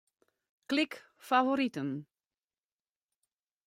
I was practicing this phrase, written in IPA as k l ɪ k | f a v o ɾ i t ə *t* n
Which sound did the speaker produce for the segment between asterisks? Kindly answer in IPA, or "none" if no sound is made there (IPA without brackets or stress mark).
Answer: none